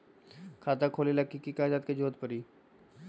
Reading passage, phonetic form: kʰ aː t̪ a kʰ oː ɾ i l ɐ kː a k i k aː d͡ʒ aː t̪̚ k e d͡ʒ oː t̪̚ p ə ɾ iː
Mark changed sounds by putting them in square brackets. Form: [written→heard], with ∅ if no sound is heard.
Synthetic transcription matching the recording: kʰ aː t̪ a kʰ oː [ɾ→l] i l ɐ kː [a→i] k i k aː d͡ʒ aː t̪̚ k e d͡ʒ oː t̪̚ p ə ɾ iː